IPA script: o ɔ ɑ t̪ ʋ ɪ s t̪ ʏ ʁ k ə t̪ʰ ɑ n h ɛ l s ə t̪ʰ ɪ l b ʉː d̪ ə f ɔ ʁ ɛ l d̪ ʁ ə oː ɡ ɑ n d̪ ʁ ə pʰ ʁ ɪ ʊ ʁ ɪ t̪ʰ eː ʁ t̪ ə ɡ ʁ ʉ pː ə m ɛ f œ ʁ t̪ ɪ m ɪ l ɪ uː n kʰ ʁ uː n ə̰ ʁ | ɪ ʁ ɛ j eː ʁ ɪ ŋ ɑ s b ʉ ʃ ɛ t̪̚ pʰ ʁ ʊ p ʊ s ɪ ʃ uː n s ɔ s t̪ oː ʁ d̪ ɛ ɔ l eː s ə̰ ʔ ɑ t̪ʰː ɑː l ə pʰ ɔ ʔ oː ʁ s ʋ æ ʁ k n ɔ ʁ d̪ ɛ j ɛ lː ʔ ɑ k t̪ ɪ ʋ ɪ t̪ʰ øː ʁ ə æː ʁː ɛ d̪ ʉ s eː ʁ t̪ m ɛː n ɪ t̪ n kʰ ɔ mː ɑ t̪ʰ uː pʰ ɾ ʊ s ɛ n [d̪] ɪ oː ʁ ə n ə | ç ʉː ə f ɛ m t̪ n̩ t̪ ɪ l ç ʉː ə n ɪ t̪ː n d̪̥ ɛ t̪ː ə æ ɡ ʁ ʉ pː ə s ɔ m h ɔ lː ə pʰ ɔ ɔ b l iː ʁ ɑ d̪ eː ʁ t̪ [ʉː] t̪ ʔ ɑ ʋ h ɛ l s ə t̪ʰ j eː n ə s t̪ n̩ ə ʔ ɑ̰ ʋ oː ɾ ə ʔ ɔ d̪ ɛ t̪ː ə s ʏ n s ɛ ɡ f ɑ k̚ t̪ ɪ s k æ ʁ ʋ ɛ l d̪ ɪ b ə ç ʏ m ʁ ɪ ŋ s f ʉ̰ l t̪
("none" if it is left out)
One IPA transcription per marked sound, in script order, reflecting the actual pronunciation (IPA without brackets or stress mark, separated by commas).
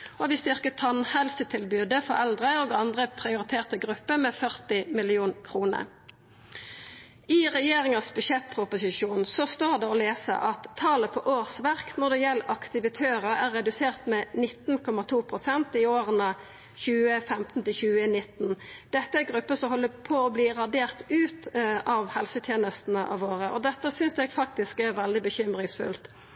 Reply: t̪, ʉː